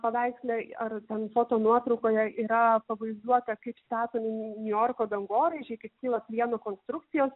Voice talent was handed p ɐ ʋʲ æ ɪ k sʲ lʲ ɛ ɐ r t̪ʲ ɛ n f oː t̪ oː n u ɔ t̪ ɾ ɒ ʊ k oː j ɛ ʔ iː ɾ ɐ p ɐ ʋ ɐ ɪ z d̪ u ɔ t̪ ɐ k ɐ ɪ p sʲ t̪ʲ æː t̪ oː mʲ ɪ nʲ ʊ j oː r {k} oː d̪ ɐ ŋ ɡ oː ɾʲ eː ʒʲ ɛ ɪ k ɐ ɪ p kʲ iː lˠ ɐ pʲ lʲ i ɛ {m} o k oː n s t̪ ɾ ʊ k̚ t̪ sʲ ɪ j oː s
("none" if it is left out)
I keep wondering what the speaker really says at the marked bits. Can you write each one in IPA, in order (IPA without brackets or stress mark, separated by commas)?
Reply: k, n